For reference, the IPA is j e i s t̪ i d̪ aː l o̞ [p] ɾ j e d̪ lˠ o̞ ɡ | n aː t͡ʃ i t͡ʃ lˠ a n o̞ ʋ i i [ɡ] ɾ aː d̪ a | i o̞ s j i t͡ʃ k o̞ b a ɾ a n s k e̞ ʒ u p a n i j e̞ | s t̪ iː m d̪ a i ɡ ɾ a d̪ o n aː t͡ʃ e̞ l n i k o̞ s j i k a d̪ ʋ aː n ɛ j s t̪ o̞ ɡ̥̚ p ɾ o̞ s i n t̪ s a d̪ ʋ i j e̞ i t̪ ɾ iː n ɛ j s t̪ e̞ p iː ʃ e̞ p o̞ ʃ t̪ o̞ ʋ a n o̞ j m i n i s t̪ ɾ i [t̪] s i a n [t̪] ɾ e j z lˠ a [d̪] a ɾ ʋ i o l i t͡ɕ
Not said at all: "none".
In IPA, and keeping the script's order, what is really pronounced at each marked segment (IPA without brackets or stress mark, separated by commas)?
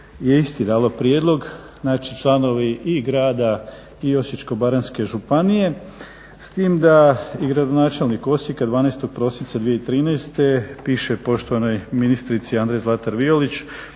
p, ɡ, t̪, d̪, t̪